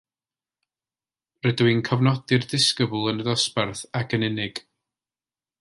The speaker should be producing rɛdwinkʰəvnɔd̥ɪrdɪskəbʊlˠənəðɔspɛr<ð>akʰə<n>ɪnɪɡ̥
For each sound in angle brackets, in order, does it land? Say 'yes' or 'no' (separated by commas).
no, yes